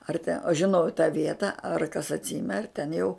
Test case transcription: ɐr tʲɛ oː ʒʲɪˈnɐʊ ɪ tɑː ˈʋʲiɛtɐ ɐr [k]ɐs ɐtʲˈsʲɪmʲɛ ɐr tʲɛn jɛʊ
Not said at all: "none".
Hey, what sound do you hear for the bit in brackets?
k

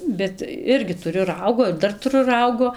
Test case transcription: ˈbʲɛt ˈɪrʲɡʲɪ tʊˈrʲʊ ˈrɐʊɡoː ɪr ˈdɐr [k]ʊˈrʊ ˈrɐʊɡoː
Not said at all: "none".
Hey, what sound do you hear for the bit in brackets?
t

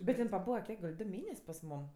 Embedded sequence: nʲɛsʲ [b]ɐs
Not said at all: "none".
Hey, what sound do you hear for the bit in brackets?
p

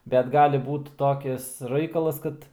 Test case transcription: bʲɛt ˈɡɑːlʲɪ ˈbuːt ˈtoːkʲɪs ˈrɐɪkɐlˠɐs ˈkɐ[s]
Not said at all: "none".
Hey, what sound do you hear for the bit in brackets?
t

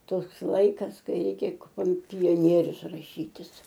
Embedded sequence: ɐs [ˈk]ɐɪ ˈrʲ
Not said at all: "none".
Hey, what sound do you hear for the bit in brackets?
k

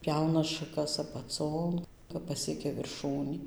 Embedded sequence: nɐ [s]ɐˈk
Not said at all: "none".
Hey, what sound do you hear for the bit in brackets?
ʃ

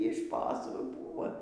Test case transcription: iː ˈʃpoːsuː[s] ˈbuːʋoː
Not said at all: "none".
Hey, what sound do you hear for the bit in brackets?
none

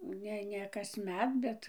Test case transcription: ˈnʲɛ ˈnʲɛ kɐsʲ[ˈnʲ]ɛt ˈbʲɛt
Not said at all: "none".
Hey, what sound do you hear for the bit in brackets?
mʲ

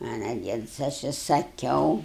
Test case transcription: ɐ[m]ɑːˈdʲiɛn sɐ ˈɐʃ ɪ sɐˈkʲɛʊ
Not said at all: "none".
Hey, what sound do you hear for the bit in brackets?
n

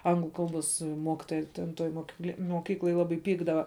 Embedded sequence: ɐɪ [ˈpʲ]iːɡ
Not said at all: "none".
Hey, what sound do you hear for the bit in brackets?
pʲ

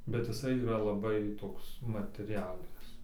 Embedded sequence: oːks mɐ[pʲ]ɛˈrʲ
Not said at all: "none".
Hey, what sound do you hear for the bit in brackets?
tʲ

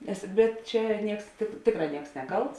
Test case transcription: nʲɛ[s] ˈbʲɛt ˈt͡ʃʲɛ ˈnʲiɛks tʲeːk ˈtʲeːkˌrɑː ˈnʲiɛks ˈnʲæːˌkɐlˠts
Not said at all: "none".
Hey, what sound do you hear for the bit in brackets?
s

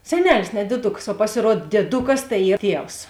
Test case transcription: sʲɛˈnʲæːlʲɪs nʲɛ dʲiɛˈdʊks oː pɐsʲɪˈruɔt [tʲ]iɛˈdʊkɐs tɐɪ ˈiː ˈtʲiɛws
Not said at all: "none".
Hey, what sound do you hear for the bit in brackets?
dʲ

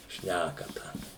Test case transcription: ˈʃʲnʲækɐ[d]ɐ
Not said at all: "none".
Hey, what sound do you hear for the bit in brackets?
t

